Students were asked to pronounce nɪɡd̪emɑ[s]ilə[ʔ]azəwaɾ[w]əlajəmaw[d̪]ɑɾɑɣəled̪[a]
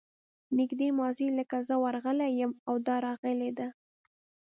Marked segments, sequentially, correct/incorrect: incorrect: z, incorrect: k, incorrect: ɣ, correct, correct

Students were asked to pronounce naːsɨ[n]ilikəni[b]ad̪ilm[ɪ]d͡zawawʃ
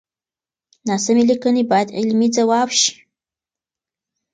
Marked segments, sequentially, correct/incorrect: incorrect: m, correct, incorrect: i

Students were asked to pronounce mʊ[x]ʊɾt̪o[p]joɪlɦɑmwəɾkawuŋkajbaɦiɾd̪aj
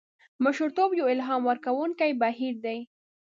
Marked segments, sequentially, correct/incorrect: incorrect: ʃ, incorrect: b

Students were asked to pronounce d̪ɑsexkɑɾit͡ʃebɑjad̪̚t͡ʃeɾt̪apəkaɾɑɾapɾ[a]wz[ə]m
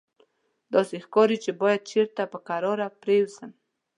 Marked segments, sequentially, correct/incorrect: incorrect: e, correct

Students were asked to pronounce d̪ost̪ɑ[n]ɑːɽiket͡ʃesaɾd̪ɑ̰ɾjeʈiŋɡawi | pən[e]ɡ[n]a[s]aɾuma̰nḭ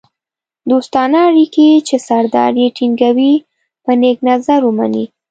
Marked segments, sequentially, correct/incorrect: correct, correct, correct, incorrect: z

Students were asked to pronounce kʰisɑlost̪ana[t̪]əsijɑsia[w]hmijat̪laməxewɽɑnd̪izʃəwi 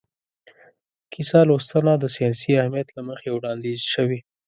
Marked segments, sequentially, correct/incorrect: incorrect: d̪, incorrect: none

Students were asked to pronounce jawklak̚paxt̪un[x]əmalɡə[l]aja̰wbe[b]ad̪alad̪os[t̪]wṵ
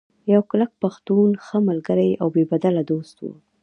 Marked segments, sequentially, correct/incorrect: correct, incorrect: ɾ, correct, correct

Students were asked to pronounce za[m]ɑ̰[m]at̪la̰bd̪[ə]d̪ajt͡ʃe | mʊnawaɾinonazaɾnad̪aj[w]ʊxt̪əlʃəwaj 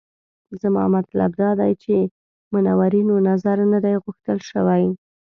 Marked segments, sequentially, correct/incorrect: correct, correct, incorrect: ɑ, incorrect: ɣ

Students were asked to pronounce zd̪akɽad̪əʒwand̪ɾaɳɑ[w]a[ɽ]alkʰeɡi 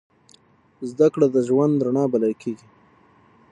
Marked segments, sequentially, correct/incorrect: incorrect: b, incorrect: l

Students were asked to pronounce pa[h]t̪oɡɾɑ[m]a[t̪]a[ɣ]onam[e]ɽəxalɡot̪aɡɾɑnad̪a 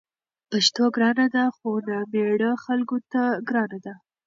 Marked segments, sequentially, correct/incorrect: incorrect: ʃ, incorrect: n, incorrect: d̪, incorrect: x, correct

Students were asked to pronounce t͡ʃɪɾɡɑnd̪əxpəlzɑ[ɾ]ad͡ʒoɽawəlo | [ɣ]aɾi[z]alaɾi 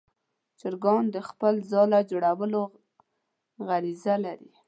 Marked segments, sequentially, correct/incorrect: incorrect: l, correct, correct

